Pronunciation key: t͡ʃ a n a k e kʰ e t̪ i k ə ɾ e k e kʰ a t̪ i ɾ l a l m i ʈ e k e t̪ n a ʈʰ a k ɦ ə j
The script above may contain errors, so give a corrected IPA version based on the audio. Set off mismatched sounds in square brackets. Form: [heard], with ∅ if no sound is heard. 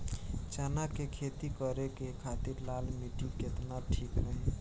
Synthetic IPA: t͡ʃ a n a k e kʰ e t̪ i k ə ɾ e k e kʰ a t̪ i ɾ l a l m i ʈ [i] k e t̪ n a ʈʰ [i] k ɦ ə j